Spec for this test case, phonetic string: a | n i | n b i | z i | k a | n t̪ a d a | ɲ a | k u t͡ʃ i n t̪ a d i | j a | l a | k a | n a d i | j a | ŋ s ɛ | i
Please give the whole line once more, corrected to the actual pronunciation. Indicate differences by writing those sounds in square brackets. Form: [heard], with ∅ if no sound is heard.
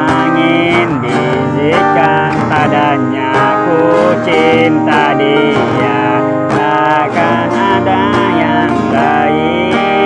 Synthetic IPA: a | [ŋ] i | n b i | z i | k a | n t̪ a d a | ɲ a | k u t͡ʃ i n t̪ a d i | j a | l a | k a | n a d [a] | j a | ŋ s [a] | i